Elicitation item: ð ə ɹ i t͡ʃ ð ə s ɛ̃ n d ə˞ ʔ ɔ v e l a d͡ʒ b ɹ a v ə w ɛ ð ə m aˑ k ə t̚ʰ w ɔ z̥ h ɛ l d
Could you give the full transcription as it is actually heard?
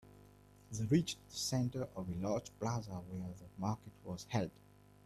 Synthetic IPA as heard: ð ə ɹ i t͡ʃ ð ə s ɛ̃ n t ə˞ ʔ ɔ v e l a d͡ʒ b l a z ə w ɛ ð ə m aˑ k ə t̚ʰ w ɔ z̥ h ɛ l d